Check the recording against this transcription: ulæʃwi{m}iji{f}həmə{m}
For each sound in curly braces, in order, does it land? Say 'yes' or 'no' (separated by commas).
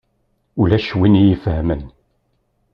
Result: no, yes, no